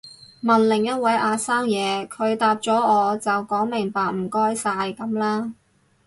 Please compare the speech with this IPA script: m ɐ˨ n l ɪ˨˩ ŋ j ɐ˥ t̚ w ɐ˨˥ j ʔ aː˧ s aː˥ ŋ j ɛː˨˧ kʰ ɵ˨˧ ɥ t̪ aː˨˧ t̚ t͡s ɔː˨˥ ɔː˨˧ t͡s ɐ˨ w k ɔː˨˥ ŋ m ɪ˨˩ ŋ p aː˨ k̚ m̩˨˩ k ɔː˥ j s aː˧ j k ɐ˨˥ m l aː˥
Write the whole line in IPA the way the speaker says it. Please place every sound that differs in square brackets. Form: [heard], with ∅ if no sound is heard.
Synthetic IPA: m ɐ˨ n l ɪ˨˩ ŋ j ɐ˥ t̚ w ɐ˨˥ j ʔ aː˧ s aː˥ ŋ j ɛː˨˧ kʰ ɵ˨˧ ɥ t̪ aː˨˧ [p̚] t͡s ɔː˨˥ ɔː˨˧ t͡s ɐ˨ w k ɔː˨˥ ŋ m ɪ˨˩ ŋ p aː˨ k̚ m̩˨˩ k ɔː˥ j s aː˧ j k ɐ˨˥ m l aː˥